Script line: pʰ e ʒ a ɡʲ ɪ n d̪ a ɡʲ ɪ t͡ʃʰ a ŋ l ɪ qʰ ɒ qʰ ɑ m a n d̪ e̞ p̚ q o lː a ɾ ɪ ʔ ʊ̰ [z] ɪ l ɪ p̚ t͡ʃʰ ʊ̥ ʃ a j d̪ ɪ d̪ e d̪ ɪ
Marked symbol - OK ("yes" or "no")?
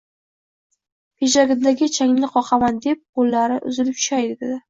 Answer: yes